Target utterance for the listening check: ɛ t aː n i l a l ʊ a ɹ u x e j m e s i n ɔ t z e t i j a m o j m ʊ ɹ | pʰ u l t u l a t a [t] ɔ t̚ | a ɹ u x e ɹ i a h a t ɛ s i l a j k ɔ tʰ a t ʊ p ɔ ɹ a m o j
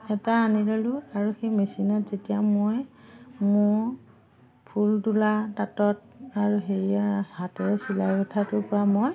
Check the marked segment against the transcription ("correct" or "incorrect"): correct